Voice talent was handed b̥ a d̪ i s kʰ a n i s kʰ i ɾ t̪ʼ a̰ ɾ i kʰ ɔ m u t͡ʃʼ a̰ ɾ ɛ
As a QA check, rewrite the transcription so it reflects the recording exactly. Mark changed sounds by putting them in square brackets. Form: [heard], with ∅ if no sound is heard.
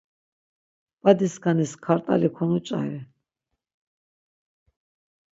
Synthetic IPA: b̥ a d̪ i s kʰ a n i s kʰ [a] ɾ t̪ʼ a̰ [l] i kʰ ɔ [n] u t͡ʃʼ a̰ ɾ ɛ